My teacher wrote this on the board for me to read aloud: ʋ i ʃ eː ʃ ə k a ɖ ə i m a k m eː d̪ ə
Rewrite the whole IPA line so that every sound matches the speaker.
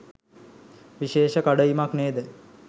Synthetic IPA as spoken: ʋ i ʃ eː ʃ ə k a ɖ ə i m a k n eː d̪ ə